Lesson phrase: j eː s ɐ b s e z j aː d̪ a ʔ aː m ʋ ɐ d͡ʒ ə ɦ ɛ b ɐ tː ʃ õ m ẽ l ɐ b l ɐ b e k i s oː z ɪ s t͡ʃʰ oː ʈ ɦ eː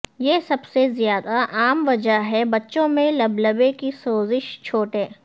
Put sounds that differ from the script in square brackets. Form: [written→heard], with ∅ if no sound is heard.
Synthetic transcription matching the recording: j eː s ɐ b s e z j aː d̪ a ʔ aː m ʋ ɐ d͡ʒ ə ɦ ɛ b ɐ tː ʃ õ m ẽ l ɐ b l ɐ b e k i s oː z ɪ [s→ʃ] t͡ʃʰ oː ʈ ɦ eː